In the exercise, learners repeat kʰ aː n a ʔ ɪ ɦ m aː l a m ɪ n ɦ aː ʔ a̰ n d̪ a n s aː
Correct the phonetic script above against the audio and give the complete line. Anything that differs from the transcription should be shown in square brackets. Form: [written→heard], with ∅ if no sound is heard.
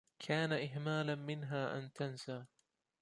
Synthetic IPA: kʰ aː n a ʔ ɪ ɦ m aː l a m ɪ n ɦ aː ʔ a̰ n [d̪→t̪] a n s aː